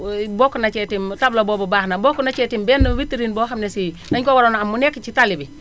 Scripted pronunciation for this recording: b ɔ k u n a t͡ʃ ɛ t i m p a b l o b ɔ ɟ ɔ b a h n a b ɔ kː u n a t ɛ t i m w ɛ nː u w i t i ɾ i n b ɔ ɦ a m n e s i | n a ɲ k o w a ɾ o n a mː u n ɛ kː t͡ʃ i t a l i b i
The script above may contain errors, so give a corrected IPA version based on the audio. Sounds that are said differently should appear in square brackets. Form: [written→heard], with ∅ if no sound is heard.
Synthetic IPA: b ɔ k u n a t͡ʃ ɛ t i m [p→t] a b l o b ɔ [ɟ→b] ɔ b a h n a b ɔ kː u n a [t→t͡ʃ] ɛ t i m [w→b] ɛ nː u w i t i ɾ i n b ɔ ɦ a m n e s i | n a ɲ k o w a ɾ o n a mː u n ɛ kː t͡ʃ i t a l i b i